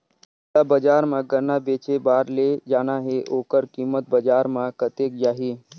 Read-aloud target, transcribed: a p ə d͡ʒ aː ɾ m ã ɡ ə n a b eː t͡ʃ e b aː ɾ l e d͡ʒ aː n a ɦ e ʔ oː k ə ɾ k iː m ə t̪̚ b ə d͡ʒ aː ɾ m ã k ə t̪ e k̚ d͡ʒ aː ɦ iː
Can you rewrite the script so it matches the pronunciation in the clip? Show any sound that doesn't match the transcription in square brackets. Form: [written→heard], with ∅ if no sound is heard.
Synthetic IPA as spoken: a [p→b] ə d͡ʒ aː ɾ m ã ɡ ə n a b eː t͡ʃ e b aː ɾ l e d͡ʒ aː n a ɦ e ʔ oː k ə ɾ k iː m ə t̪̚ b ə d͡ʒ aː ɾ m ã k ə t̪ e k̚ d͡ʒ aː ɦ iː